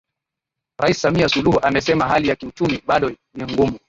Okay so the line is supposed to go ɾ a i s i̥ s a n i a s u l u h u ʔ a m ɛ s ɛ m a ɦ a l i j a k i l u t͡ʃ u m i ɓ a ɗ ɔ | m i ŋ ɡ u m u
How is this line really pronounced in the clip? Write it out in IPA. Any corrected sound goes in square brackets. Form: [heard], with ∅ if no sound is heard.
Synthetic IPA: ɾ a i s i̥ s a [m] i a s u l u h u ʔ a m ɛ s ɛ m a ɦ a l i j a k i [∅] u t͡ʃ u m i ɓ a ɗ ɔ | [n] i ŋ ɡ u m u